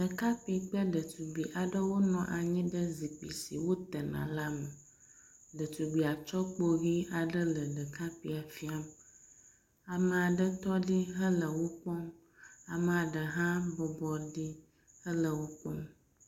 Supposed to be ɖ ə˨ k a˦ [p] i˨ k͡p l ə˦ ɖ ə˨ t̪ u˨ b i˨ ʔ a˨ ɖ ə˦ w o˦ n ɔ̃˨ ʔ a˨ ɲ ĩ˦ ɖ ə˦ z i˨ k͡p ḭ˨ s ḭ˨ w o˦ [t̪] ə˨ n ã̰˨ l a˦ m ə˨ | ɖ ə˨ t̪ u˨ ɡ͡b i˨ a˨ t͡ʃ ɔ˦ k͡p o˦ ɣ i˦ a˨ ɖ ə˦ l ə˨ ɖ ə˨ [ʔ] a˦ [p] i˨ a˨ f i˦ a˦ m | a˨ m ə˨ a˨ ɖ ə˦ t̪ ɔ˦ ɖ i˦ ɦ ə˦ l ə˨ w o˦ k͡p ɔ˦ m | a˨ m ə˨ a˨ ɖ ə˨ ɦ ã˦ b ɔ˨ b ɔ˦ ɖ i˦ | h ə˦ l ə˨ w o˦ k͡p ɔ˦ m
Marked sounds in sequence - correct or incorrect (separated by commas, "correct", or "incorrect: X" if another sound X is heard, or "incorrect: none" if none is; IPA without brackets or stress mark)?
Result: correct, correct, incorrect: k, correct